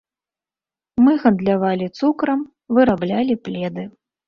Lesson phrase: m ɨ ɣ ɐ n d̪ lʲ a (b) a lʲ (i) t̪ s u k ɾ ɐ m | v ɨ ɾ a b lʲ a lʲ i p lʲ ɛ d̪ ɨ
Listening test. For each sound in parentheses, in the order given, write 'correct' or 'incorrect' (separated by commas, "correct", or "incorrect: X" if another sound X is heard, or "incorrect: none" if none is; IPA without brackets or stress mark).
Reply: incorrect: v, correct